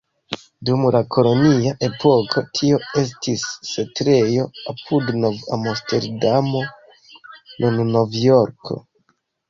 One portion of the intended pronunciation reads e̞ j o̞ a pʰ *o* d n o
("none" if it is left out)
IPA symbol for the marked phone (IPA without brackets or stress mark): u